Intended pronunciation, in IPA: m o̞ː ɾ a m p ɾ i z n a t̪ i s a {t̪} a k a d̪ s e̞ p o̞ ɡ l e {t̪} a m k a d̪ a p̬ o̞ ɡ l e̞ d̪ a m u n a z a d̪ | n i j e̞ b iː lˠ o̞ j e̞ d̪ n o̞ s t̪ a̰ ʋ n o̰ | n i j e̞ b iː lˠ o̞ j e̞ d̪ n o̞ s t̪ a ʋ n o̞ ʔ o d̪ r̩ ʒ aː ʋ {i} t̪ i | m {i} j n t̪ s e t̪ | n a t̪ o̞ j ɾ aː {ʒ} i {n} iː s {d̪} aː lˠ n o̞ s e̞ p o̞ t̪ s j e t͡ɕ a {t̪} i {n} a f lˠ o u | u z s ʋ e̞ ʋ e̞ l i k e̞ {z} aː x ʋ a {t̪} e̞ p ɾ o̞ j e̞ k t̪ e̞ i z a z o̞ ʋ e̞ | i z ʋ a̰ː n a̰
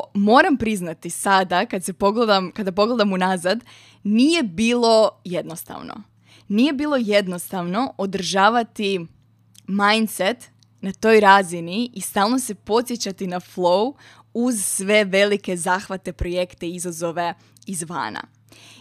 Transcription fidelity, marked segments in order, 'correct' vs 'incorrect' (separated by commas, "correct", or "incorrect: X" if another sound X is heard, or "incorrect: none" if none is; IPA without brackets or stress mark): incorrect: d̪, incorrect: d̪, incorrect: a, incorrect: a, incorrect: z, correct, incorrect: t̪, correct, correct, correct, correct